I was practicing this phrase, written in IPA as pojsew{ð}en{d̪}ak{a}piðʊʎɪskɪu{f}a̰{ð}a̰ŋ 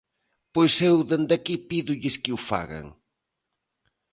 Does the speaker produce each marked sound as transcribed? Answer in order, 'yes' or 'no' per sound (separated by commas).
yes, yes, no, yes, no